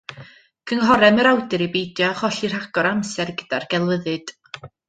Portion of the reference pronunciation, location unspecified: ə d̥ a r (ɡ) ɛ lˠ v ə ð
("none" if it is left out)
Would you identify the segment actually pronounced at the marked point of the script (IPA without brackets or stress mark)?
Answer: ɡ